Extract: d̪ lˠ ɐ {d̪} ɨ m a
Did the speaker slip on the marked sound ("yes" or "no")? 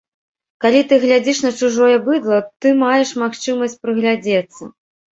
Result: yes